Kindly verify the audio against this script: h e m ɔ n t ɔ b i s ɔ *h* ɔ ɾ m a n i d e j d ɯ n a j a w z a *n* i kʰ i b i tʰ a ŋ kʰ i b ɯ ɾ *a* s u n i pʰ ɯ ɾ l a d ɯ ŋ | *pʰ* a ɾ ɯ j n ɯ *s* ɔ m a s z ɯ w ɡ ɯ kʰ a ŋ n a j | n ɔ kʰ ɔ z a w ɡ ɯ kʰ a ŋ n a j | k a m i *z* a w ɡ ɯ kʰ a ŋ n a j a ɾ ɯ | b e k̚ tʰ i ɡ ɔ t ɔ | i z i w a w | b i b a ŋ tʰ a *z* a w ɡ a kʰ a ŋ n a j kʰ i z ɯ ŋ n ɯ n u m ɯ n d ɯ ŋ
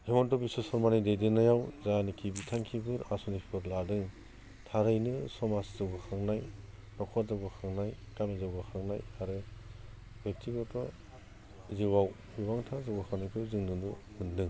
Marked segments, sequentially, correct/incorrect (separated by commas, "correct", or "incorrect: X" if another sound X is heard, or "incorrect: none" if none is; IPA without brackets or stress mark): incorrect: s, correct, correct, incorrect: tʰ, correct, correct, correct